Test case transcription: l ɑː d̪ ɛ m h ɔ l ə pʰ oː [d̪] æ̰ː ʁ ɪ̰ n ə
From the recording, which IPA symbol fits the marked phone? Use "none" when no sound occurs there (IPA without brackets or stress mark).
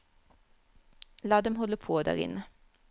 d̪